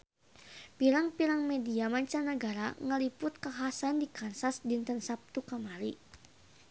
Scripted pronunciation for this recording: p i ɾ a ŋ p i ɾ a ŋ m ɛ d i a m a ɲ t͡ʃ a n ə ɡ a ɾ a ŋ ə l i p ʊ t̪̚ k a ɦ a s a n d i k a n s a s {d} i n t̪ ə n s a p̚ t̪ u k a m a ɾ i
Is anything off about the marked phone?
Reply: no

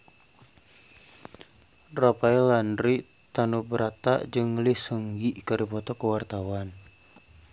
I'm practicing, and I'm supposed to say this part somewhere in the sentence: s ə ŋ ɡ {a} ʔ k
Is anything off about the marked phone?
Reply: yes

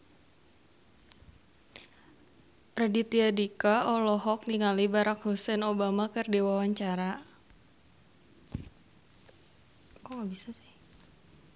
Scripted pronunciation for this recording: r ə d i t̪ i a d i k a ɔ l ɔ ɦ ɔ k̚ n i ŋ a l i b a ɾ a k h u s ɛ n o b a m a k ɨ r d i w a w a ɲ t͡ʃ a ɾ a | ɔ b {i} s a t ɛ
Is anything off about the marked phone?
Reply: no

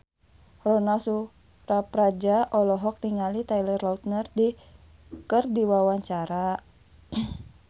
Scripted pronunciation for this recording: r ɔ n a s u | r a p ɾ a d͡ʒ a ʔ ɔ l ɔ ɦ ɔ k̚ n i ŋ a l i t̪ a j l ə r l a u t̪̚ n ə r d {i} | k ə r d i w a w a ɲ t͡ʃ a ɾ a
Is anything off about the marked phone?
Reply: no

